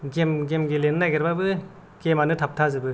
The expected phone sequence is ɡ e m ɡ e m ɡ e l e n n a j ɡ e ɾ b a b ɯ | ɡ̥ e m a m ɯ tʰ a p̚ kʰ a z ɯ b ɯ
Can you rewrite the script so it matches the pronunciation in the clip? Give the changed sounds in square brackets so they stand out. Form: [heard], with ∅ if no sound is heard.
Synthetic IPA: ɡ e m ɡ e m ɡ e l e n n a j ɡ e ɾ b a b ɯ | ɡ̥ e m a [n] ɯ tʰ a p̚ [tʰ] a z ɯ b ɯ